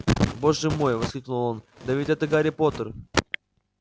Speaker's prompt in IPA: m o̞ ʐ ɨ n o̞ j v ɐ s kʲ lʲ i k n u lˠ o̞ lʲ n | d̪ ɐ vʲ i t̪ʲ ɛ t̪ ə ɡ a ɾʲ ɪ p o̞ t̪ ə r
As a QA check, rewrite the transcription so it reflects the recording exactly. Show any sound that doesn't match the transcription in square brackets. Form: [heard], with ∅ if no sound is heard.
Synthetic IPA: [b] o̞ ʐ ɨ [m] o̞ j v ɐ s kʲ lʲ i k n u lˠ o̞ [∅] n | d̪ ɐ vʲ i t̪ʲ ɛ t̪ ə ɡ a ɾʲ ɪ p o̞ t̪ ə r